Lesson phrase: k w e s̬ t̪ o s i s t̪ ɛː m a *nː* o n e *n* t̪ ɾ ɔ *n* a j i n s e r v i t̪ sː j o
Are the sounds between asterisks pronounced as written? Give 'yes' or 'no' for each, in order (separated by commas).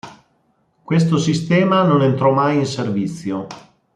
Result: no, yes, no